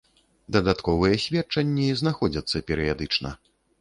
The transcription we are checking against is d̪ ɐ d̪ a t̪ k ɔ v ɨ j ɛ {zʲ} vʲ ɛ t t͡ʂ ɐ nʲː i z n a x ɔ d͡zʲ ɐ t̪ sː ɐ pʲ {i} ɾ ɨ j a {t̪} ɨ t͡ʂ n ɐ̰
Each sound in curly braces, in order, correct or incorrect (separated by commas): incorrect, incorrect, incorrect